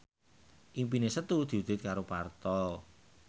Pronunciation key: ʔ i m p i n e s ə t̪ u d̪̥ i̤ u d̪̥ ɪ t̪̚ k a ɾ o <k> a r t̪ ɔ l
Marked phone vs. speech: incorrect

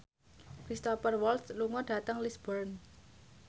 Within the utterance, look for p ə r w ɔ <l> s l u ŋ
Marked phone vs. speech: correct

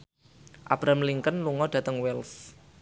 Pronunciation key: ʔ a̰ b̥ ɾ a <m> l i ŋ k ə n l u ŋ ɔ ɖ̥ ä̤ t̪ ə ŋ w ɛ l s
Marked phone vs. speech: correct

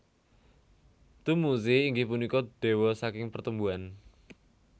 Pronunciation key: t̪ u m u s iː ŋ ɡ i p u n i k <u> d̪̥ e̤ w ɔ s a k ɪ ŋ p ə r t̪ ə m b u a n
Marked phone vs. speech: incorrect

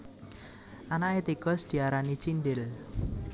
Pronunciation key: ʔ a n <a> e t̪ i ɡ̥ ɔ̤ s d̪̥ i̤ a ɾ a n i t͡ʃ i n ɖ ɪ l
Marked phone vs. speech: correct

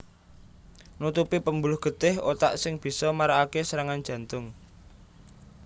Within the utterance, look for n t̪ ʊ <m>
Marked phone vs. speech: incorrect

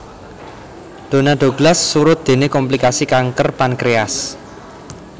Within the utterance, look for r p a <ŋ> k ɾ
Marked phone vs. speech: incorrect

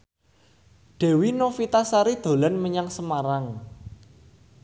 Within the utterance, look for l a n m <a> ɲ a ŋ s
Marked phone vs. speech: incorrect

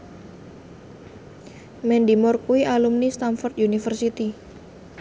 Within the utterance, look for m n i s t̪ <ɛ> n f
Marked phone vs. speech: incorrect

